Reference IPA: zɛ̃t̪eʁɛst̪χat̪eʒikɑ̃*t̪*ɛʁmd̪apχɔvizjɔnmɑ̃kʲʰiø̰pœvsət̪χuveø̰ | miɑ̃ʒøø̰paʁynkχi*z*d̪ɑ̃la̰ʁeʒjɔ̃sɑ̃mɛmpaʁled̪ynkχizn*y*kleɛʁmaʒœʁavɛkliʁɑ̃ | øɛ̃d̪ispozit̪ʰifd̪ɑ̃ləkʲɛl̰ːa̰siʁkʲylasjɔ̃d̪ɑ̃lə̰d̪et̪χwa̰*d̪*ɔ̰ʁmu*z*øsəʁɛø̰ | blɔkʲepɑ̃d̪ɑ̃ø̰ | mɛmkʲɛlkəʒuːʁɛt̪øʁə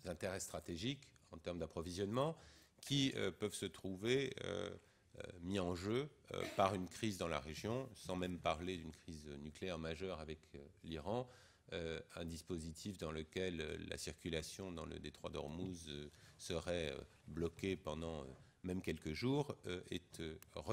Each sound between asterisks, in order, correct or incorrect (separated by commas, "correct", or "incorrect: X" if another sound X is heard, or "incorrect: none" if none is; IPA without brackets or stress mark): correct, correct, correct, correct, correct